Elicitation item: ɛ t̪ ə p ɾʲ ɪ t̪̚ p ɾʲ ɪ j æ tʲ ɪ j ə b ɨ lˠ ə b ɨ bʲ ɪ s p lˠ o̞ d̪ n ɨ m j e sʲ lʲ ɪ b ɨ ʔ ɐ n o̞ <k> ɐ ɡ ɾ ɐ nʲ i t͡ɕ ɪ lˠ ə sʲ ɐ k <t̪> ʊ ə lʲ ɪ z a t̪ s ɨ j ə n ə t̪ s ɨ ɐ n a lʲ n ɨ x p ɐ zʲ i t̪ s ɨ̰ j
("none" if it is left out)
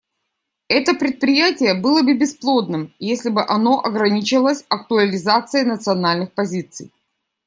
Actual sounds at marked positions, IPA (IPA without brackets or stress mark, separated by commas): ʔ, t̪